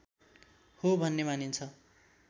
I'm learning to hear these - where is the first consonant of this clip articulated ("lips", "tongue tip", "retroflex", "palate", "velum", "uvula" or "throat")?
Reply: throat